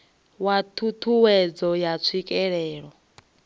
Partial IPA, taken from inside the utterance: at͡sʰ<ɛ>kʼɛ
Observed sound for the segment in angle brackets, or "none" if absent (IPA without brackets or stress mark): i